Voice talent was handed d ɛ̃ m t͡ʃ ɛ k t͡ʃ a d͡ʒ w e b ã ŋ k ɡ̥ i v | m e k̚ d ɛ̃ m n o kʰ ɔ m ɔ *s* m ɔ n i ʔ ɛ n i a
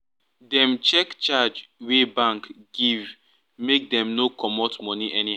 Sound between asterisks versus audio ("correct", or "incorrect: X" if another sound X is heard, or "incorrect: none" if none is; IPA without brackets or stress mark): incorrect: t